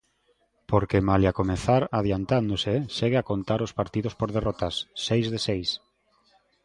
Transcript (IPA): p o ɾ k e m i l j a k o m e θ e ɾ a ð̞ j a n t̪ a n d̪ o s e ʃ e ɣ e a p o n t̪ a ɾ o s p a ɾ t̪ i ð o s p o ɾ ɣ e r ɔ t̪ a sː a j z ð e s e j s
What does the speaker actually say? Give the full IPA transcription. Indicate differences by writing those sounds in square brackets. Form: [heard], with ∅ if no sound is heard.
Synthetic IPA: p o ɾ k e m [a] l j a k o m e θ [a] ɾ a ð̞ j a n t̪ a n d̪ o s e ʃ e ɣ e a [k] o n t̪ a ɾ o s p a ɾ t̪ i ð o s p o ɾ [ð] e r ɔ t̪ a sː [e] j z ð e s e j s